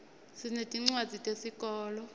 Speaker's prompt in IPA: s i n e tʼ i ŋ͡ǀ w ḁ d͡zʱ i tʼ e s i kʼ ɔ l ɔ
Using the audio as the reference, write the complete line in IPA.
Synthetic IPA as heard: s i n e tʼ i ŋ͡ǀ w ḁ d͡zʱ i tʼ e s i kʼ ɔː l ɔ